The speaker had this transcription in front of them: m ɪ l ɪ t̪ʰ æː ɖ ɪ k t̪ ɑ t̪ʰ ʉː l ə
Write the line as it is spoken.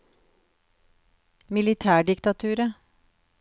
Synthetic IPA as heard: m ɪ l ɪ t̪ʰ æː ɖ ɪ k t̪ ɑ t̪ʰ ʉː ɾ ə